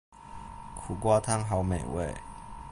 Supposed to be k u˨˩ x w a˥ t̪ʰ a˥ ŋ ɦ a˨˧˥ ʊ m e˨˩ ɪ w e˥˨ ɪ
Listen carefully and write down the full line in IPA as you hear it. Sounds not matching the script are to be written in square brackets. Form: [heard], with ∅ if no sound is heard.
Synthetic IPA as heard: [kʰ] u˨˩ [k] w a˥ t̪ʰ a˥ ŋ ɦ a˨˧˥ ʊ m e˨˩ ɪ w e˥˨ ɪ